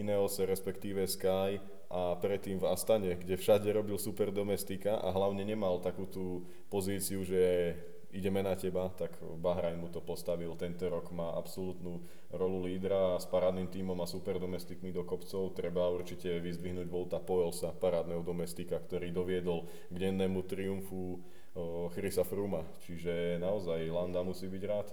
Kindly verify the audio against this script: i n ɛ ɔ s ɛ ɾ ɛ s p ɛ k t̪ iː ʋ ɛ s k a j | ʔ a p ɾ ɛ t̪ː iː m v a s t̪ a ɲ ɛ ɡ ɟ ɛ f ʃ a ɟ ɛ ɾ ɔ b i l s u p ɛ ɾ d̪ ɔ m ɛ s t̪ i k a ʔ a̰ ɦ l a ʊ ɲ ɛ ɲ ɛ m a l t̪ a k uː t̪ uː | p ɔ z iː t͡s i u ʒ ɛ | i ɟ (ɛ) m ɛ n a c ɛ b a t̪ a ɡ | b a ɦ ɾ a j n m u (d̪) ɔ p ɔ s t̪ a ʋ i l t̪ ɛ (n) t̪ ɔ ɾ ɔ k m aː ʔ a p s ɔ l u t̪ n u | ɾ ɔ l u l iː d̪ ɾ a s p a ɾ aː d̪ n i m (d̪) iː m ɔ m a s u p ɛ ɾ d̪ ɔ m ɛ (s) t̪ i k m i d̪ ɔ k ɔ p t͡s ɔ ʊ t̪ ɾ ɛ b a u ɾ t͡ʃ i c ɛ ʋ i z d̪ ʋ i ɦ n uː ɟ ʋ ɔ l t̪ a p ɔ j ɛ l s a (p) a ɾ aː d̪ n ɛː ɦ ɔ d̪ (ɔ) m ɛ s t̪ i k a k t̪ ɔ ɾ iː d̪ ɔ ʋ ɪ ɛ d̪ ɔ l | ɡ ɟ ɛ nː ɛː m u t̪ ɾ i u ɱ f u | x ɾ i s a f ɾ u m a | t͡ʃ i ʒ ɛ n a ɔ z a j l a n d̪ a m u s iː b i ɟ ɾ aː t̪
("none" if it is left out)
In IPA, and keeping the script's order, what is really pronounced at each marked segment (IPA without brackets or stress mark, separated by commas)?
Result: ɛ, t̪, n, t̪, s, p, ɔ